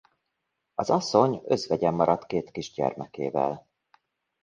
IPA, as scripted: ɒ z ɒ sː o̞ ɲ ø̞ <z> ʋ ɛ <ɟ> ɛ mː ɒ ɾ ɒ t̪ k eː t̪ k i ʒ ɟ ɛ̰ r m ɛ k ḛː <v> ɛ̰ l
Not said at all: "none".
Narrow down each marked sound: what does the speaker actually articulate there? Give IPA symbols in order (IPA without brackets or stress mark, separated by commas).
z, ɟ, v